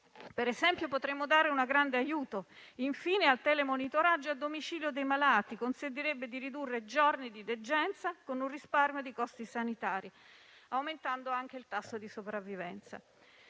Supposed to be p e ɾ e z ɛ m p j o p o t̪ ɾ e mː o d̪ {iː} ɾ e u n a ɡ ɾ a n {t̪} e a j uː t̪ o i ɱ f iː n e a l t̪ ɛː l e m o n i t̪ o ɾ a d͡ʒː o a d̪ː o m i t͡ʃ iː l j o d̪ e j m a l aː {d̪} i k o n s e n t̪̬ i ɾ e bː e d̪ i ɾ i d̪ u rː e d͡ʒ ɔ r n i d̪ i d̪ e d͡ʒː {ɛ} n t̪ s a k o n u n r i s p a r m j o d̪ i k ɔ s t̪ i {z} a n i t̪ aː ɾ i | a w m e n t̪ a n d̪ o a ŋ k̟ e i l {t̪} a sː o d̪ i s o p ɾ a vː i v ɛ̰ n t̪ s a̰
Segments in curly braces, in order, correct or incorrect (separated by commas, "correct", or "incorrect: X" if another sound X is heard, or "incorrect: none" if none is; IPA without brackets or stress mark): incorrect: aː, incorrect: d̪, incorrect: t̪, correct, incorrect: s, correct